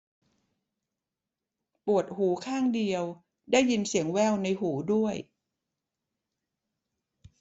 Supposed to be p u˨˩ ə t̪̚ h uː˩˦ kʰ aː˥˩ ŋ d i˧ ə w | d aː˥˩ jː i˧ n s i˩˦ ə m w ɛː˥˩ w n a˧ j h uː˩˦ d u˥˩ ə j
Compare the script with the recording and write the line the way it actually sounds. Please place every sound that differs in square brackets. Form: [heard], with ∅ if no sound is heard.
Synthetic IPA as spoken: p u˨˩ ə t̪̚ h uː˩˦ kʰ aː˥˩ ŋ d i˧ ə w | d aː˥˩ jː i˧ n s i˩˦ ə [ŋ] w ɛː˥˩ w n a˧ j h uː˩˦ d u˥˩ ə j